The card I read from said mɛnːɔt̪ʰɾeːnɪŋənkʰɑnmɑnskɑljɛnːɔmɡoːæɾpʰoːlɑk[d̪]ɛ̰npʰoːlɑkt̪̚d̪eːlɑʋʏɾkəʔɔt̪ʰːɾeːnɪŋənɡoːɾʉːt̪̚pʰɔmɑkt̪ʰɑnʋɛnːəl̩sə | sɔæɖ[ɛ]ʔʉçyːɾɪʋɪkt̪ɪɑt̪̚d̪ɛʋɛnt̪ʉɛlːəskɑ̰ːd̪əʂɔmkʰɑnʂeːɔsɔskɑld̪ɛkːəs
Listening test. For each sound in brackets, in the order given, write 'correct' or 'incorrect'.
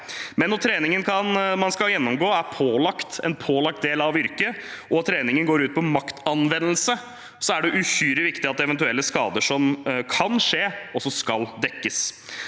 incorrect: t̪, correct

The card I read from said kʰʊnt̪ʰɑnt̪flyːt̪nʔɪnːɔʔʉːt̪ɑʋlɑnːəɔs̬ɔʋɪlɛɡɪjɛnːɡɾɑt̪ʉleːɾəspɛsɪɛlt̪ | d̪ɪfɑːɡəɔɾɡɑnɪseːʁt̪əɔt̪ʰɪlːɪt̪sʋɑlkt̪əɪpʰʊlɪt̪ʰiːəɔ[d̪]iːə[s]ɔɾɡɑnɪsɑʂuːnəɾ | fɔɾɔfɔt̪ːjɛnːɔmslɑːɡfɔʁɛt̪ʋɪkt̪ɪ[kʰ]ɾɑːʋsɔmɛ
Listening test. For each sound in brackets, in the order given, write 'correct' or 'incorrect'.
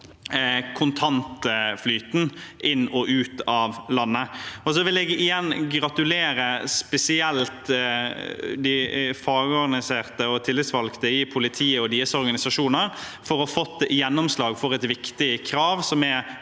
correct, correct, correct

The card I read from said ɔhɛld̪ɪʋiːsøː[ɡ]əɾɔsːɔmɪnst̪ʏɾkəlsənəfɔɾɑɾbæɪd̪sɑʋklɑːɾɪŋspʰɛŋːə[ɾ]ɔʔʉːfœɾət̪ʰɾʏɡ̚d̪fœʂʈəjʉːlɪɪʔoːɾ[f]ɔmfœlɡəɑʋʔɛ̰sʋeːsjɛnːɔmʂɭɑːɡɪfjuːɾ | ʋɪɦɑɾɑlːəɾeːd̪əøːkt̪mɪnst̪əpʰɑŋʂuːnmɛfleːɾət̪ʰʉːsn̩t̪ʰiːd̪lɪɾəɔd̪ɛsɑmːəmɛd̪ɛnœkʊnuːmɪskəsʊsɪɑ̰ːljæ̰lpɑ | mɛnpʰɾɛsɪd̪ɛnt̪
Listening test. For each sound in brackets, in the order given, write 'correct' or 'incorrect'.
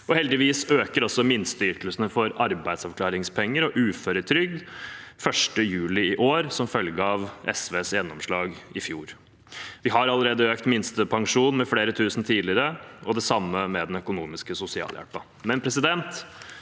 incorrect: k, correct, incorrect: s

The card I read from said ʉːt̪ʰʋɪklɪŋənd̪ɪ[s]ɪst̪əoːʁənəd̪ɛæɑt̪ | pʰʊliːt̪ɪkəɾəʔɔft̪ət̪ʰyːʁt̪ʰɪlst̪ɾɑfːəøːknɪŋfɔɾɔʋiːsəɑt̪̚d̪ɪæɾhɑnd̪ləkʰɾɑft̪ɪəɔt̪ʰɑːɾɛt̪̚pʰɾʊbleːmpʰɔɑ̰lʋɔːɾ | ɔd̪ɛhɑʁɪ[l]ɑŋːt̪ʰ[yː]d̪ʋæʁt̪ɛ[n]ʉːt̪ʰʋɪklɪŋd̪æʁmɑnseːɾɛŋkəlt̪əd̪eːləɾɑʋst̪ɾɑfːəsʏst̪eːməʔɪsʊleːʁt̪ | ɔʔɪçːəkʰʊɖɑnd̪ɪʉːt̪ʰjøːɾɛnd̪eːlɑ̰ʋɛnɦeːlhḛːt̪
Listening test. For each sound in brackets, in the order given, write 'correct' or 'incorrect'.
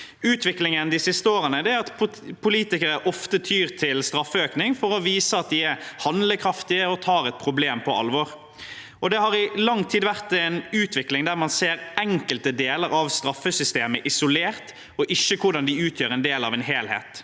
correct, correct, incorrect: iː, correct

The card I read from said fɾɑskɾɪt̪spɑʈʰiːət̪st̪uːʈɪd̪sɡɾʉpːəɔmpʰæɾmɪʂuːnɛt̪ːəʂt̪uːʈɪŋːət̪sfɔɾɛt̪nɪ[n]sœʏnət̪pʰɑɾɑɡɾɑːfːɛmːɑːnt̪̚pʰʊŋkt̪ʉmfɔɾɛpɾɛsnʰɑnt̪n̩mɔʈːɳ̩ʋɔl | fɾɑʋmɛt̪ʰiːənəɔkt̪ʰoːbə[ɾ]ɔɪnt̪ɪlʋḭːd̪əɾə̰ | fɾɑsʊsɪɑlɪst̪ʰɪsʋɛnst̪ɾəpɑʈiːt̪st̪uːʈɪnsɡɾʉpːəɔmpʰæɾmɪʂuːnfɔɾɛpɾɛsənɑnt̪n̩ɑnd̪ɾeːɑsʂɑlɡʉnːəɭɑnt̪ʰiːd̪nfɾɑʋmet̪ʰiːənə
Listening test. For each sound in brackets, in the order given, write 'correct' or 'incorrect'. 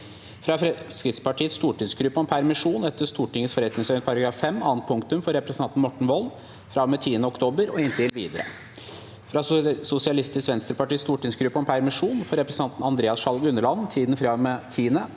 incorrect: ŋ, correct

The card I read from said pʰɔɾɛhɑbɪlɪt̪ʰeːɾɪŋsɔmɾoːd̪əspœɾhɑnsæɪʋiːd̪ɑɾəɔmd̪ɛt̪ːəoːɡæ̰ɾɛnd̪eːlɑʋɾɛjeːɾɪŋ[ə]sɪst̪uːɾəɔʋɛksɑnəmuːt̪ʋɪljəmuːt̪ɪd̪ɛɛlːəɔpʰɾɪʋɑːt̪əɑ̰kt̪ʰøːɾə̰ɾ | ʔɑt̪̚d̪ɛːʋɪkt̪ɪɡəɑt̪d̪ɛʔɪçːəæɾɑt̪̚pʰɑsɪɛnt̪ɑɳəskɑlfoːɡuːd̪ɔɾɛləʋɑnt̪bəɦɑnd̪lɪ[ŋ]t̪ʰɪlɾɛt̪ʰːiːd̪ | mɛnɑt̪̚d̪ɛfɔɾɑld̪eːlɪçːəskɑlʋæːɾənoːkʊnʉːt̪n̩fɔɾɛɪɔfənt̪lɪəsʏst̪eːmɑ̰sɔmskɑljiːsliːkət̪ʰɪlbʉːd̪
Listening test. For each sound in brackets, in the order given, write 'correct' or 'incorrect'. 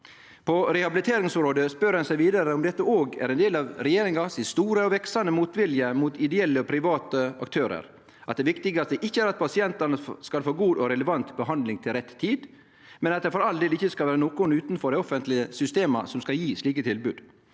incorrect: ɑ, correct

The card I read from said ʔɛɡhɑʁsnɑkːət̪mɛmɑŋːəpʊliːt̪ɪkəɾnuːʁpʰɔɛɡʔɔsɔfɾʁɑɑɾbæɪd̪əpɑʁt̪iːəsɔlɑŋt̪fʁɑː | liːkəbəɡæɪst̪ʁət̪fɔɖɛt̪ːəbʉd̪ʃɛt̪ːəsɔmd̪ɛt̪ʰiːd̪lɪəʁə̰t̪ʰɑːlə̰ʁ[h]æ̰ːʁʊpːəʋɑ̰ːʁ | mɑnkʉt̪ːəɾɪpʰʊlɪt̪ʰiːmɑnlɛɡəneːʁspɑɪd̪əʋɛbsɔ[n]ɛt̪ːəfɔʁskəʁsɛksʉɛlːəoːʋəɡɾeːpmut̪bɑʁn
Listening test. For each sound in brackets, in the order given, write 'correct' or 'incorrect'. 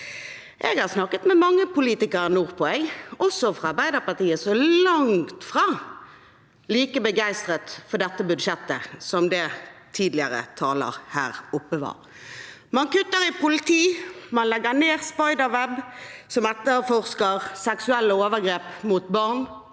correct, incorrect: m

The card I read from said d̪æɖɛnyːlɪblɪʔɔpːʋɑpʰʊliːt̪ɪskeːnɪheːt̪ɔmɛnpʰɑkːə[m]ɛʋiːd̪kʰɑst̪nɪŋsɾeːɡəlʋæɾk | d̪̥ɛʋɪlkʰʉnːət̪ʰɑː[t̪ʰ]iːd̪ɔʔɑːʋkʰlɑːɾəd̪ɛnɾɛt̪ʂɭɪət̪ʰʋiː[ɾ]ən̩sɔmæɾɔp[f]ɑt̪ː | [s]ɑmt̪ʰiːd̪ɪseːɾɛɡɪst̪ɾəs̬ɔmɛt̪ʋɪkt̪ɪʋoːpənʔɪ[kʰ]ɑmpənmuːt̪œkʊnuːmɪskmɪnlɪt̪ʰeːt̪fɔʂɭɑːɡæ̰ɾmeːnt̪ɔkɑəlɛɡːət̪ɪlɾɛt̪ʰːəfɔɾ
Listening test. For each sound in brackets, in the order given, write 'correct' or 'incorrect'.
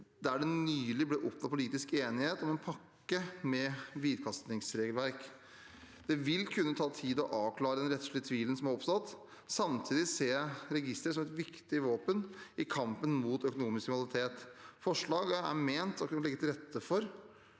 correct, correct, incorrect: l, incorrect: s, correct, correct

